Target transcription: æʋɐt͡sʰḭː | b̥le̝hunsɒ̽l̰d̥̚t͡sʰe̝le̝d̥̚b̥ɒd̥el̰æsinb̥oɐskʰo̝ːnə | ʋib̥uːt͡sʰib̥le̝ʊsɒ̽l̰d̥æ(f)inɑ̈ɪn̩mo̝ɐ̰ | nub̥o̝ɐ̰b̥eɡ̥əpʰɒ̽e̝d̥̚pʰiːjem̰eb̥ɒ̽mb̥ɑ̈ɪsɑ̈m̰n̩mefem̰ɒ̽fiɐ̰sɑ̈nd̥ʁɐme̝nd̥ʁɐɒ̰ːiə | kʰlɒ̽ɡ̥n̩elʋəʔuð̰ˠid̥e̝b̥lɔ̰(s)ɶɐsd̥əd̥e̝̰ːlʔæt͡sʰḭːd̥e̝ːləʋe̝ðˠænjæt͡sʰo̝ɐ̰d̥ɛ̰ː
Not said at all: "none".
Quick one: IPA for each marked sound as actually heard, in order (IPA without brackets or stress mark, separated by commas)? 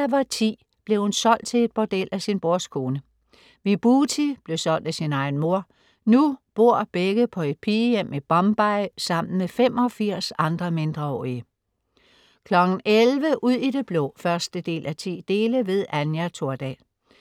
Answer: s, f